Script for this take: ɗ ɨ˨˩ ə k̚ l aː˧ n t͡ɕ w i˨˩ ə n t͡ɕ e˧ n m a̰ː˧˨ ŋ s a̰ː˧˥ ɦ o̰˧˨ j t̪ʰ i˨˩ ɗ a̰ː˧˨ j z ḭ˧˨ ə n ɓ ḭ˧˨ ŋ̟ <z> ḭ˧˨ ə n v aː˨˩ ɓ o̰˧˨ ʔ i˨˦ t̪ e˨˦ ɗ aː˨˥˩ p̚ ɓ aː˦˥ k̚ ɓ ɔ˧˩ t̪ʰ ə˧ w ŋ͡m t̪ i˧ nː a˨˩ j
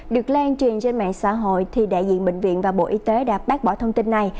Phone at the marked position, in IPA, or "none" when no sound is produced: v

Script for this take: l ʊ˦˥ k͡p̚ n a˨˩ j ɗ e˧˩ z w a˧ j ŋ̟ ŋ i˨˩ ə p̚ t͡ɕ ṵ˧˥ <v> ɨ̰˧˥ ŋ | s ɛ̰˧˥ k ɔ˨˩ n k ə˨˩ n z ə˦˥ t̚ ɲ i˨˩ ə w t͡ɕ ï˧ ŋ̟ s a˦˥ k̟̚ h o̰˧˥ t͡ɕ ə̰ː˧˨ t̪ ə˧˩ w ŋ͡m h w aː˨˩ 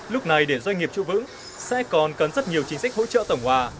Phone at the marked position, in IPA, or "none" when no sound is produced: v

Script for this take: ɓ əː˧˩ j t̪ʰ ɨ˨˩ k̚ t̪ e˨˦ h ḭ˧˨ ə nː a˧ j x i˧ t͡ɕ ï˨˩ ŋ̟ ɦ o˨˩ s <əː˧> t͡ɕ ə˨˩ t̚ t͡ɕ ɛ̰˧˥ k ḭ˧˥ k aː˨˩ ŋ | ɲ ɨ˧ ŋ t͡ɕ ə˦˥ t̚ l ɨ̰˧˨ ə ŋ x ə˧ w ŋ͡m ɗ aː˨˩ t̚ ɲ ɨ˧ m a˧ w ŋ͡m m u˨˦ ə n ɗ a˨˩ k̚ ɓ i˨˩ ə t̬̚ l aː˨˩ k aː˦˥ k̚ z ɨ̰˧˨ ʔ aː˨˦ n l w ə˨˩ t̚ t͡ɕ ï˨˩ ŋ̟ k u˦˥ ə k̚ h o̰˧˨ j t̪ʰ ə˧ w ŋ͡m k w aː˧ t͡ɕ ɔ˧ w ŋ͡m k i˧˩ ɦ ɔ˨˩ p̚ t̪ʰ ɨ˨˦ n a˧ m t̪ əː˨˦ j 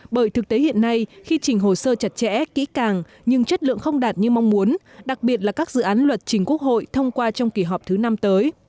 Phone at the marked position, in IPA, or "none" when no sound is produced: əː˧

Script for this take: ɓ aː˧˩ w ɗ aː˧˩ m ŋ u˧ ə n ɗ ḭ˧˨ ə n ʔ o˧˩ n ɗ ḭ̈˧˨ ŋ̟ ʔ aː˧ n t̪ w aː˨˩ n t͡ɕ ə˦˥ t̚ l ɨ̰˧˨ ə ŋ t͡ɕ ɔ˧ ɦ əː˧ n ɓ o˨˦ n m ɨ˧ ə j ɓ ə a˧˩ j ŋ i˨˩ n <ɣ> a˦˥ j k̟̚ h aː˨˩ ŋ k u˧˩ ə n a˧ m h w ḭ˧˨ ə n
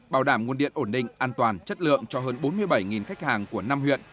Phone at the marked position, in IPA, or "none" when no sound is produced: x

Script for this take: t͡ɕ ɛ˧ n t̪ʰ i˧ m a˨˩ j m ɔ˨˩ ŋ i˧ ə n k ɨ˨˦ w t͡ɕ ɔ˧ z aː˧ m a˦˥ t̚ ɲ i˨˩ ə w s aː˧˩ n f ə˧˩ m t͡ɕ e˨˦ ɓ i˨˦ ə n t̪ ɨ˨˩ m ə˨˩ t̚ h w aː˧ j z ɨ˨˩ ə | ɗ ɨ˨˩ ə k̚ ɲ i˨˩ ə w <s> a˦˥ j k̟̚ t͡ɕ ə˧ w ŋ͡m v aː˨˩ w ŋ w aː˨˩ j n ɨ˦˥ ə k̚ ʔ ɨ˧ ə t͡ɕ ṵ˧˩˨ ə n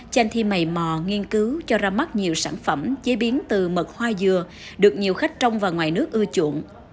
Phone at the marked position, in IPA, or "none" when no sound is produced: x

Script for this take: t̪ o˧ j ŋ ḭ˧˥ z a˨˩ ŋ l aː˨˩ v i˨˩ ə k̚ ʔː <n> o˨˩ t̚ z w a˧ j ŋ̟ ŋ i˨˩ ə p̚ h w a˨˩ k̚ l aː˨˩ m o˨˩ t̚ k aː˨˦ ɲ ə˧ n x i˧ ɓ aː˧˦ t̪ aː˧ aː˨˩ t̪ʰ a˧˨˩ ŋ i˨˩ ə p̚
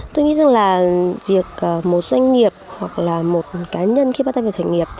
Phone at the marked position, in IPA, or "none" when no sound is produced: m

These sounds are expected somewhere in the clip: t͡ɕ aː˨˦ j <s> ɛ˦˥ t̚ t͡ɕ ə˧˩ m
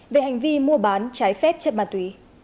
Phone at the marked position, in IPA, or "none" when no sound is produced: f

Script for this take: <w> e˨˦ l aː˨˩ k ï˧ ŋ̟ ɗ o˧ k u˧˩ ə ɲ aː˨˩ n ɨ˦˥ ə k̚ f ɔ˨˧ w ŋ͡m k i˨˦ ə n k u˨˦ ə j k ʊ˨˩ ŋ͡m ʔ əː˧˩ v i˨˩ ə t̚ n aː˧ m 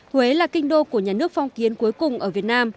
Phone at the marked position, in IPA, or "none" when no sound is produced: w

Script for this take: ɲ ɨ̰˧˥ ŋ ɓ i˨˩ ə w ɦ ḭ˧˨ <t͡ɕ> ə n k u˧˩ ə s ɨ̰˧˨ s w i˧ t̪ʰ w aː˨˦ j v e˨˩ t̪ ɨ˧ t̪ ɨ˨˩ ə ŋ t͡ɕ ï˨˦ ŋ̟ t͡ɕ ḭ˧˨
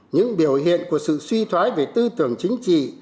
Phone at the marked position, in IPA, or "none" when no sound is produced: none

